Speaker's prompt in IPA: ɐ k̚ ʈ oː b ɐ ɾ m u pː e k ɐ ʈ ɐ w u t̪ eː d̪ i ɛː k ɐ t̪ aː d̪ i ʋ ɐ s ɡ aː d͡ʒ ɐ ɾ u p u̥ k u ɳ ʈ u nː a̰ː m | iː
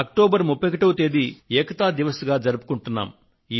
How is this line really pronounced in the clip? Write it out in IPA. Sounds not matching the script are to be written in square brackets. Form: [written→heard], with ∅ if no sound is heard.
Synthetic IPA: ɐ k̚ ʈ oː b ɐ ɾ m u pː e k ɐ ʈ ɐ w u t̪ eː d̪ i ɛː k ɐ t̪ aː d̪ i ʋ ɐ s ɡ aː d͡ʒ ɐ ɾ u p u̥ k u ɳ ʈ u nː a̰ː m | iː